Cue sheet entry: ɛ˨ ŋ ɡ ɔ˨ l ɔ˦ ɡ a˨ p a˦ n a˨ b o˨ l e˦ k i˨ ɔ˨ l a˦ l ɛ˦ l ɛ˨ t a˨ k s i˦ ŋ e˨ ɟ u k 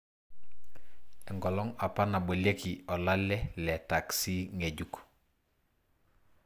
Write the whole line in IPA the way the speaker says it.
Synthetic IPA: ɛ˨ ŋ ɡ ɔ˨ l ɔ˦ ŋ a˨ p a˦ n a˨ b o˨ l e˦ k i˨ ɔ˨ l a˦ l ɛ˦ l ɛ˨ t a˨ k s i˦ ŋ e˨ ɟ u k